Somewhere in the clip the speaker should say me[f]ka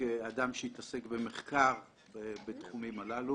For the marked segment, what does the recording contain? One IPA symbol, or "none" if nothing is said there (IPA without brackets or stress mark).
χ